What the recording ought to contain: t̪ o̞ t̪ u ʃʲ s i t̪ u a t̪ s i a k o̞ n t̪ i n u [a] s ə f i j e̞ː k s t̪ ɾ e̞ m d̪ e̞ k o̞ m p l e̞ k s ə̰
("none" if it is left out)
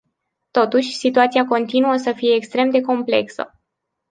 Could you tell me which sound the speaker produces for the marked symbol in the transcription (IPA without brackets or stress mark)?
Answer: ə